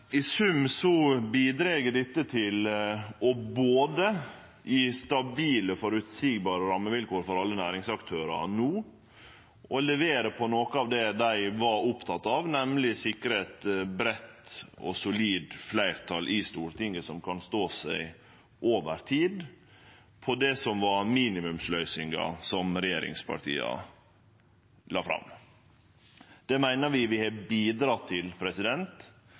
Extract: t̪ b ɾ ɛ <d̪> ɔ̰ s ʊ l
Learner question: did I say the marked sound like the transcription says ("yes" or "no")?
no